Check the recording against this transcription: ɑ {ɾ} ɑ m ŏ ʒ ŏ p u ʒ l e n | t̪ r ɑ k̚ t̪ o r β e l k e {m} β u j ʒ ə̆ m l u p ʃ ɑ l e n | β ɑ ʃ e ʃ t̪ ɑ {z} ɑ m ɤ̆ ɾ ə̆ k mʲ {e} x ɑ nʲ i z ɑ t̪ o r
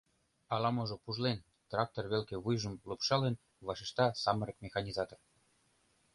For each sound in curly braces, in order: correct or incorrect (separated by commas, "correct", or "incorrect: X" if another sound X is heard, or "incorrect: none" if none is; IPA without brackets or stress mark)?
incorrect: l, incorrect: none, incorrect: s, correct